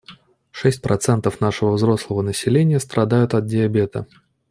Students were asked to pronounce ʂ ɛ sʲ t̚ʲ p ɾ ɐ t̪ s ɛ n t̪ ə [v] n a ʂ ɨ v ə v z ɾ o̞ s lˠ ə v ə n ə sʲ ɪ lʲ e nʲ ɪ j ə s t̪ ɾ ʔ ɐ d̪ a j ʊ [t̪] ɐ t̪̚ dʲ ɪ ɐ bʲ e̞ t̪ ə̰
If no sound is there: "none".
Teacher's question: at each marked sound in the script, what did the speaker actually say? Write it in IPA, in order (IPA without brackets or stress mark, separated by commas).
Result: f, t̪